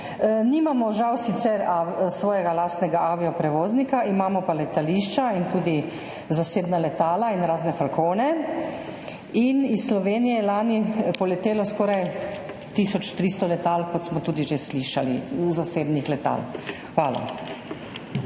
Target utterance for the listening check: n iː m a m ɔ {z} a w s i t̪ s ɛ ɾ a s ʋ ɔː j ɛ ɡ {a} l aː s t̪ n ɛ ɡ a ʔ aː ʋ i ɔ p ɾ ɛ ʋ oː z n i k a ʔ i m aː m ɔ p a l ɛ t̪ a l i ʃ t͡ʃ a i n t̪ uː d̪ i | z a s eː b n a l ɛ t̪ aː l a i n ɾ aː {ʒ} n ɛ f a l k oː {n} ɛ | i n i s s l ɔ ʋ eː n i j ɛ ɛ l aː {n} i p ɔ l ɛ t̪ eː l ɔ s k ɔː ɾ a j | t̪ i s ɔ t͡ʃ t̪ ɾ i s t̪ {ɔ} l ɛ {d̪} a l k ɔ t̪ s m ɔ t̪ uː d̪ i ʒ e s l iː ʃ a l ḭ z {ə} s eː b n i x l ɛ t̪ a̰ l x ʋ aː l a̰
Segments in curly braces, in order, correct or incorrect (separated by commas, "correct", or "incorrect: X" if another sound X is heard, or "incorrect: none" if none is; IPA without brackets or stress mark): incorrect: ʒ, correct, incorrect: z, correct, correct, correct, incorrect: t̪, incorrect: a